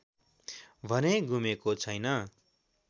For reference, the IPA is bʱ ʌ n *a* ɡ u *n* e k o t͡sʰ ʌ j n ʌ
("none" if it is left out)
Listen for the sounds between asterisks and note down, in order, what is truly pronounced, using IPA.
e, m

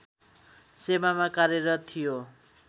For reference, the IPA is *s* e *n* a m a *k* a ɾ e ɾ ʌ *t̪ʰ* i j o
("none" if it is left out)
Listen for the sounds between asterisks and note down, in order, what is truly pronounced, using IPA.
s, m, k, t̪ʰ

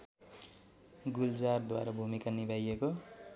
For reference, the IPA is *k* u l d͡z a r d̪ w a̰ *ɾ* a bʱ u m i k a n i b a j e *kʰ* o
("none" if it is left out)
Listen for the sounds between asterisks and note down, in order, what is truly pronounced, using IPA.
ɡ, ɾ, k

